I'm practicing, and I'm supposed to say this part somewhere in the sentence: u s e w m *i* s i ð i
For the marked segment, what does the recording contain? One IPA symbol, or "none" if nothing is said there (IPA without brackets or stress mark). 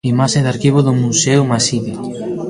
a